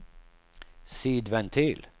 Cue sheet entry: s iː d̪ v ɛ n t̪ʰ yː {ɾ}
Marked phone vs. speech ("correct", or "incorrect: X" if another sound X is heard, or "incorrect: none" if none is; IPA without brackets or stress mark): incorrect: l